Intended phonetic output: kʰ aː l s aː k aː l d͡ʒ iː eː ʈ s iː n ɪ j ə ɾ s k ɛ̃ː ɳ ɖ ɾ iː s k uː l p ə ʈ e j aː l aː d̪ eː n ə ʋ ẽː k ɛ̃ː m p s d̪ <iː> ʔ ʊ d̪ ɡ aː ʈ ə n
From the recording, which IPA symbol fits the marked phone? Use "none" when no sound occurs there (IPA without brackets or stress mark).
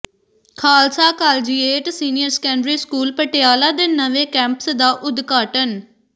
aː